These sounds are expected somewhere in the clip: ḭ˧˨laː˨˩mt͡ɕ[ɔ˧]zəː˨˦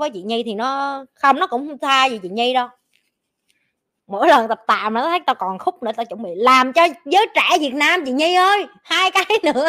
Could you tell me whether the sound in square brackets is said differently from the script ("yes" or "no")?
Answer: no